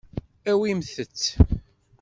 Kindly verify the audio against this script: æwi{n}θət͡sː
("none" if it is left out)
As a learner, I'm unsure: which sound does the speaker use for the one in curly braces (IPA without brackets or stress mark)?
m